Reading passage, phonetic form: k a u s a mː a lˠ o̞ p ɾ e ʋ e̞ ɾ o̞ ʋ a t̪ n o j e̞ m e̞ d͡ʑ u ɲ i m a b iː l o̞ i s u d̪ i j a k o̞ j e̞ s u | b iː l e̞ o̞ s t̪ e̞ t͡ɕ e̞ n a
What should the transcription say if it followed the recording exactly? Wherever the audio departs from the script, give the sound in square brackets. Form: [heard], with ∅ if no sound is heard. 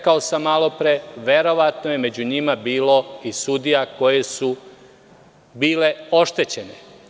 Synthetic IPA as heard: k a [o] s a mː a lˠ o̞ p ɾ e ʋ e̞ ɾ o̞ ʋ a t̪ n o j e̞ m e̞ d͡ʑ u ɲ i m a b iː l o̞ i s u d̪ i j a k o̞ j e̞ s u | b iː l e̞ o̞ [ʃ] t̪ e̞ t͡ɕ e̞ n [e]

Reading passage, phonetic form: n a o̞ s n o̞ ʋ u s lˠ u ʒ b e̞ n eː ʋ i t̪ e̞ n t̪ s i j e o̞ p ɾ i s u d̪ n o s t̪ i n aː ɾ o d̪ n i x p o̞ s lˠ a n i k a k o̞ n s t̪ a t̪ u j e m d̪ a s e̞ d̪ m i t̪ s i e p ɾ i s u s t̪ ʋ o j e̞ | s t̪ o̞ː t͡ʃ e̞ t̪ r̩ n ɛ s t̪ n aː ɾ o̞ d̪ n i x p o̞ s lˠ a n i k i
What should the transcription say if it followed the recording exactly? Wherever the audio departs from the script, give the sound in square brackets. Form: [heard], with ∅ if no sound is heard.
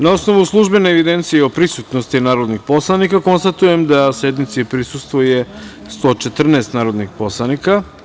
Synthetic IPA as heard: n a o̞ s n o̞ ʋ u s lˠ u ʒ b e̞ n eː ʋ i [d̪] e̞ n t̪ s i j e o̞ p ɾ i s u [t̪] n o s t̪ i n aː ɾ o d̪ n i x p o̞ s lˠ a n i k a k o̞ n s t̪ a t̪ u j e m d̪ a s e̞ d̪ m i t̪ s i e p ɾ i s u s t̪ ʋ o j e̞ | s t̪ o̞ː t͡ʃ e̞ t̪ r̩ n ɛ s t̪ n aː ɾ o̞ d̪ n i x p o̞ s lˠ a n i k [a]

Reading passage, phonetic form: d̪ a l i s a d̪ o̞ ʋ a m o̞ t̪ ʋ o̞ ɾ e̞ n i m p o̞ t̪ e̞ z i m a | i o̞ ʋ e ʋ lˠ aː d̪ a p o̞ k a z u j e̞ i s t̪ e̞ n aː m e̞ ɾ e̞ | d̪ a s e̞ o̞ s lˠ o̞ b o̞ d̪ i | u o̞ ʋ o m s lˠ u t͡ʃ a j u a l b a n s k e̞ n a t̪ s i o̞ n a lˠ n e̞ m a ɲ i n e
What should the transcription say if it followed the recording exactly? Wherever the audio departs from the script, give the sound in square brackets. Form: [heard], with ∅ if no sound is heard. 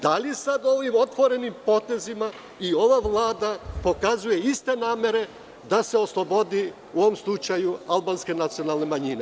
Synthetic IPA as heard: d̪ a l i s a d̪ o̞ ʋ [i] m o̞ t̪ ʋ o̞ ɾ e̞ n i m p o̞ t̪ e̞ z i m a | i o̞ ʋ [a] ʋ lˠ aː d̪ a p o̞ k a z u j e̞ i s t̪ e̞ n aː m e̞ ɾ e̞ | d̪ a s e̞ o̞ s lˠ o̞ b o̞ d̪ i | u o̞ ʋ o m s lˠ u t͡ʃ a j u a l b a n s k e̞ n a t̪ s i o̞ n a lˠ n e̞ m a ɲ i n e

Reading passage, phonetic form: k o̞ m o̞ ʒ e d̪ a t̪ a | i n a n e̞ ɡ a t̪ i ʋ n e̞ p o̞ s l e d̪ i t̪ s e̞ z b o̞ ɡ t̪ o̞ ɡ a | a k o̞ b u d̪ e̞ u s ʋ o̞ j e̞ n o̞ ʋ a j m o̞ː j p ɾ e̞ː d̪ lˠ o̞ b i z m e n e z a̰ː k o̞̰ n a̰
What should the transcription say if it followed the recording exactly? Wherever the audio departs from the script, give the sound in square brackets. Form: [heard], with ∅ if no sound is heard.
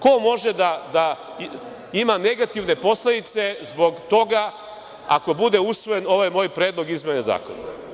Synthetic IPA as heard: k o̞ m o̞ ʒ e d̪ a [d̪] a | i [m] a n e̞ ɡ a t̪ i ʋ n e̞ p o̞ s l e d̪ i t̪ s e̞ z b o̞ ɡ t̪ o̞ ɡ a | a k o̞ b u d̪ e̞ u s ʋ o̞ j e̞ n o̞ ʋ a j m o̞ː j p ɾ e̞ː d̪ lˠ o̞ [ɡ] i z m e n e z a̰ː k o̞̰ n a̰

